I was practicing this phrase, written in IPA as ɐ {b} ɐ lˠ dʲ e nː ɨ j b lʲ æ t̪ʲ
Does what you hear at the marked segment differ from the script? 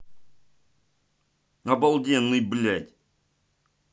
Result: no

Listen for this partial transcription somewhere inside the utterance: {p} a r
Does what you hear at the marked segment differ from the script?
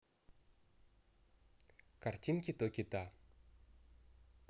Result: yes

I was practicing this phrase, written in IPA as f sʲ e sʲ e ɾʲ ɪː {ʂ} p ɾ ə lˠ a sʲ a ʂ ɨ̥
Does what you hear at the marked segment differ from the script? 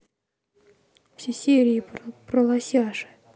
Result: yes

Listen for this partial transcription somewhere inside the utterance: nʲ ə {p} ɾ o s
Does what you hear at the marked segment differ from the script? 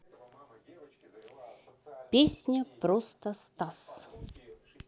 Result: no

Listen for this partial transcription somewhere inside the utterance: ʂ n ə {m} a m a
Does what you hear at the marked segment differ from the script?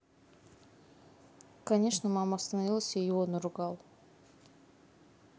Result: no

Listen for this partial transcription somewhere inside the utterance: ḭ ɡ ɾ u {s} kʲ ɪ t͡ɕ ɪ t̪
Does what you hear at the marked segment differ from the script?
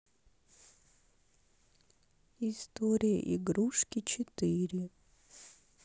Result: yes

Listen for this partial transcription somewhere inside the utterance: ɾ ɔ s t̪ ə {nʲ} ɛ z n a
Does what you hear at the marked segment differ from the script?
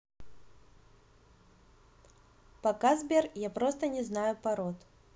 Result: no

